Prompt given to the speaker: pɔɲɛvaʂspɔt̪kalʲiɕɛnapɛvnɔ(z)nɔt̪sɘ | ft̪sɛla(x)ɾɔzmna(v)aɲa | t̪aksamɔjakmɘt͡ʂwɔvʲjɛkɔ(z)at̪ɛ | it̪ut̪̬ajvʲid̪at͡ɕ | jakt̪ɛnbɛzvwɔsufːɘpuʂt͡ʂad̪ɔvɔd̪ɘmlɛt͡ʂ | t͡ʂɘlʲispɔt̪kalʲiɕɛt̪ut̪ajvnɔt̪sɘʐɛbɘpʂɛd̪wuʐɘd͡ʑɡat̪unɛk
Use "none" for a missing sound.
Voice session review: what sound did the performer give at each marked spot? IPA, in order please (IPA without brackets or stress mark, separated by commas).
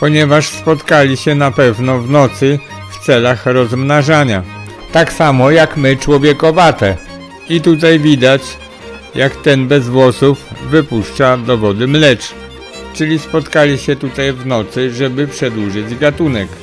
v, x, ʐ, v